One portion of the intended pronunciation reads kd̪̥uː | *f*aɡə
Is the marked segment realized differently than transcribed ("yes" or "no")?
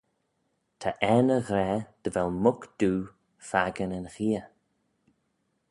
no